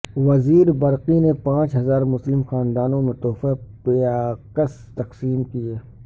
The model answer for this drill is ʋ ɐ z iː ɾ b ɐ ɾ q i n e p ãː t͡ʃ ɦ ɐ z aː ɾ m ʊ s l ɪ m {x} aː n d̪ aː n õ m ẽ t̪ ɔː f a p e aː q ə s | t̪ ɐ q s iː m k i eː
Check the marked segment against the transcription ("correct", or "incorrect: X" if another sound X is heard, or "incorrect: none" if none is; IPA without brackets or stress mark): correct